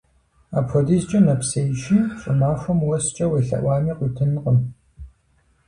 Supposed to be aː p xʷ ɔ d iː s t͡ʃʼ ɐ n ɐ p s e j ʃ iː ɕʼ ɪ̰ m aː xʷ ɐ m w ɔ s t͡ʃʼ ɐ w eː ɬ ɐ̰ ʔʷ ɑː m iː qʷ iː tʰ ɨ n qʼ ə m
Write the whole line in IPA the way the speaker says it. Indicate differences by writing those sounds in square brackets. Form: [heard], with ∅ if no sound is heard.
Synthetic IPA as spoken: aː p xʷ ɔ d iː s t͡ʃʼ ɐ n ɐ p s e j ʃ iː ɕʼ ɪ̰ m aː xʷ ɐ m w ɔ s t͡ʃʼ ɐ w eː ɬ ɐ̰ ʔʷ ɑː m iː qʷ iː tʰ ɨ n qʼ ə m